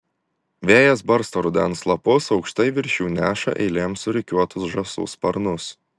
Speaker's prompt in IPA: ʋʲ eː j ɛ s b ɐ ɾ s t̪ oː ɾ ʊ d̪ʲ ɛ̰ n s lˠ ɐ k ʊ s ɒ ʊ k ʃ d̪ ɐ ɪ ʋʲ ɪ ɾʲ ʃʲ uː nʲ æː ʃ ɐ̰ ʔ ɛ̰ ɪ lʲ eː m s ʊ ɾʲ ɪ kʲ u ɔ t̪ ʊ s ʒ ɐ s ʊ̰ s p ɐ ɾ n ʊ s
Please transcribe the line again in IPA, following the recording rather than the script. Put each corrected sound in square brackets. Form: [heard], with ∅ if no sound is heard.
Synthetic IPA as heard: ʋʲ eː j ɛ s b ɐ ɾ s t̪ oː ɾ ʊ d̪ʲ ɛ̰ n s lˠ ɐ [p] ʊ s ɒ ʊ k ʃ [t̪] ɐ ɪ ʋʲ ɪ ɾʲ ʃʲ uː nʲ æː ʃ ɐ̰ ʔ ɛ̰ ɪ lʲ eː m s ʊ ɾʲ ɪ kʲ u ɔ t̪ ʊ s ʒ ɐ s ʊ̰ s p ɐ ɾ n ʊ s